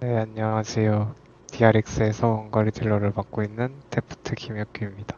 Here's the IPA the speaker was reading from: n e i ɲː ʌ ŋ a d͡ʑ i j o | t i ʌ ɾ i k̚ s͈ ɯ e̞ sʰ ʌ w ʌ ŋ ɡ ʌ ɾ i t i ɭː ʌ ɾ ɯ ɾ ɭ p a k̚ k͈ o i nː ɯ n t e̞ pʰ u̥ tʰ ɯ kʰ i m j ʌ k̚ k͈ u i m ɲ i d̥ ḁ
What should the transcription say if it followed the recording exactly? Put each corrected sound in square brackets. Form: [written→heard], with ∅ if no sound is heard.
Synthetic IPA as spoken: n e [i→a] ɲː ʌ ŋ a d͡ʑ i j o | t i [ʌ→a] ɾ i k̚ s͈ ɯ e̞ sʰ ʌ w ʌ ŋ ɡ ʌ ɾ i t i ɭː ʌ ɾ ɯ [ɾ→∅] ɭ p a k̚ k͈ o i nː ɯ n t e̞ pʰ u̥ tʰ ɯ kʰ i m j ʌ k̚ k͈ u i m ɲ i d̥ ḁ